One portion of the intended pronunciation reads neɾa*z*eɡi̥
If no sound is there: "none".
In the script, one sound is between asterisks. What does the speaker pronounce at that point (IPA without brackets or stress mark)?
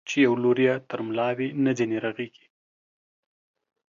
ɣ